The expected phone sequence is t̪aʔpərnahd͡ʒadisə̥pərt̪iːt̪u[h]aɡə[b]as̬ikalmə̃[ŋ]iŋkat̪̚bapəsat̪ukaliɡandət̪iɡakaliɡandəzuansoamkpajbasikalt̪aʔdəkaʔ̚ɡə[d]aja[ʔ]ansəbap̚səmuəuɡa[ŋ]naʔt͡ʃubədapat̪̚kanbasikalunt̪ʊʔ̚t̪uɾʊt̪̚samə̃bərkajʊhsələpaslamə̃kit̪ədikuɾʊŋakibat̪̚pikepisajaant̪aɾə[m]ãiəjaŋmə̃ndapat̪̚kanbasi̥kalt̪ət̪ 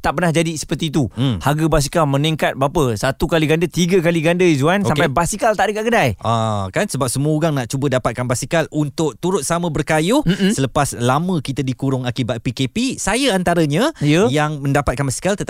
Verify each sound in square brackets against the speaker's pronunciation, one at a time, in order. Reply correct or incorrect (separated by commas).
correct, correct, incorrect, correct, incorrect, correct, incorrect